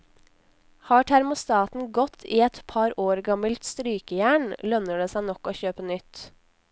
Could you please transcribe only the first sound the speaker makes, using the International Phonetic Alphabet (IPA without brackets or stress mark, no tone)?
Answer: h